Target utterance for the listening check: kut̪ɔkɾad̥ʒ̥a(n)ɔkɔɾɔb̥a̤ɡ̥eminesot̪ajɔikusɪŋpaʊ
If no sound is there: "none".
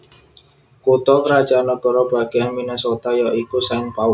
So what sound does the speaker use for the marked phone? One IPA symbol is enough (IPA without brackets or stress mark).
n